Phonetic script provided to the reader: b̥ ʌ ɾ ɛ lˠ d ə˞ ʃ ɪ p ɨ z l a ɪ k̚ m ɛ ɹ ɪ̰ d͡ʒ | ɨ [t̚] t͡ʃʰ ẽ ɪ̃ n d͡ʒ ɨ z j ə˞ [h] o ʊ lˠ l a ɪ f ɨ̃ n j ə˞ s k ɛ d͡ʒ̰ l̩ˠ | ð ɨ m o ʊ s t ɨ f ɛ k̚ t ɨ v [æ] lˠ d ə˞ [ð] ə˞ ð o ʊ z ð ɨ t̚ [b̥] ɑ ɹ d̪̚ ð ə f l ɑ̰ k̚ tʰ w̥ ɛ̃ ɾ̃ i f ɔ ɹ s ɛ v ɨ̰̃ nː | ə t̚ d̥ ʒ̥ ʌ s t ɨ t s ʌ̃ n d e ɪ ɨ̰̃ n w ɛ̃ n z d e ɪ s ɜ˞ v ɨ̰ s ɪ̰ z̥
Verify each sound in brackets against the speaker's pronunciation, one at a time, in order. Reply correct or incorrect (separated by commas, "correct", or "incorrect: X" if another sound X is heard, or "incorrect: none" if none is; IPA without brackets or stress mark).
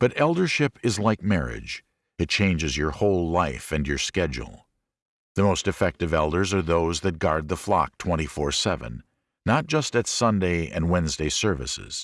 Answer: correct, correct, incorrect: ɛ, incorrect: z, incorrect: ɡ̥